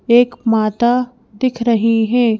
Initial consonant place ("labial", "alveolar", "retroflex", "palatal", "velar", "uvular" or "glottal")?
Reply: velar